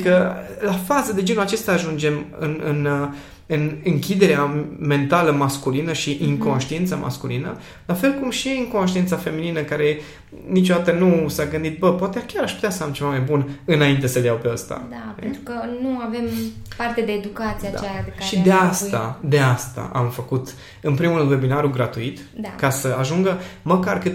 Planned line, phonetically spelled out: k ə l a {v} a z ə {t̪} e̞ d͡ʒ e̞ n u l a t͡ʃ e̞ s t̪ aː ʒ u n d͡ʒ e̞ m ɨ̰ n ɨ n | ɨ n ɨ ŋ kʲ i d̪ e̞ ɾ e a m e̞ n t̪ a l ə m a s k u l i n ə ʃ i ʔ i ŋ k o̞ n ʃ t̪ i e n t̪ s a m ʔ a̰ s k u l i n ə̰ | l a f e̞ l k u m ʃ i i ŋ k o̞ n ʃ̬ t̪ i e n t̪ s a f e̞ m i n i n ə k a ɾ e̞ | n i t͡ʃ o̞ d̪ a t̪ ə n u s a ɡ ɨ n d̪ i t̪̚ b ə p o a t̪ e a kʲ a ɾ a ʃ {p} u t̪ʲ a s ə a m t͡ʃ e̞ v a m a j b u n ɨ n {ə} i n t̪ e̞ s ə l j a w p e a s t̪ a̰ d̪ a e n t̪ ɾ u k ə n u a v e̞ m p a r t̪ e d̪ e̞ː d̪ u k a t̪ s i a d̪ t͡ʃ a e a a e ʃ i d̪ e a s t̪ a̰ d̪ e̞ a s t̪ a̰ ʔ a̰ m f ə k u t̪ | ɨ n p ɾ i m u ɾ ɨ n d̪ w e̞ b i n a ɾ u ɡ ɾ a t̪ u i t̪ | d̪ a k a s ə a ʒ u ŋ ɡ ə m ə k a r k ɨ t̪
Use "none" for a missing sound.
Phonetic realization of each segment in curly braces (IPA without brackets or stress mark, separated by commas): f, d̪, p, a